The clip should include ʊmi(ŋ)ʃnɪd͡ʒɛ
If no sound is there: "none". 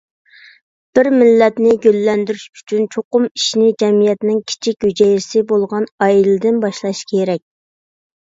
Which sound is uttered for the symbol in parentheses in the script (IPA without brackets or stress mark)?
none